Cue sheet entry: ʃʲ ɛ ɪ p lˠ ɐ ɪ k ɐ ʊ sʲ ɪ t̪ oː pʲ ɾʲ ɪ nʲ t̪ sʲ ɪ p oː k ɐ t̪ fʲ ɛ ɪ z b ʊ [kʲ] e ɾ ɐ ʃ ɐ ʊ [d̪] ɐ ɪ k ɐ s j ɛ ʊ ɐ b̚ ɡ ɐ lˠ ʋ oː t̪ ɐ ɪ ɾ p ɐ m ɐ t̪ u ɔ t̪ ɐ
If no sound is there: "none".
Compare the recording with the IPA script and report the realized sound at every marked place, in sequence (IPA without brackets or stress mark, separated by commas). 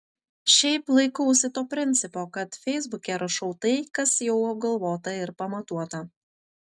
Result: kʲ, t̪